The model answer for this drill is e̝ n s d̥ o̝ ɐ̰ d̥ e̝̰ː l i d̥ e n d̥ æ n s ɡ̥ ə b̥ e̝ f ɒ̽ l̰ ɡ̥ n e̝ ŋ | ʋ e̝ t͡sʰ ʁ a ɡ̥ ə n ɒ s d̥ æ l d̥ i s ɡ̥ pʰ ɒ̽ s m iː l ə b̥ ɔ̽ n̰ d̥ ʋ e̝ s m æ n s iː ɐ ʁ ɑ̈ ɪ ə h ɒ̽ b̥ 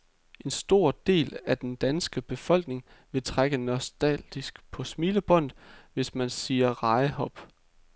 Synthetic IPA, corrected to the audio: e̝ n s d̥ o̝ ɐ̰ d̥ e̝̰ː l æ d̥ e n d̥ æ n s ɡ̥ ə b̥ e̝ f ɒ̽ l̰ ɡ̥ n e̝ ŋ | ʋ e̝ t͡sʰ ʁ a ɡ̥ ə n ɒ s d̥ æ l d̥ i s ɡ̥ pʰ ɒ̽ s m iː l ə b̥ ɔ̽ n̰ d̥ ʋ e̝ s m æ n s iː ɐ ʁ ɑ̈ ɪ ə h ɒ̽ b̥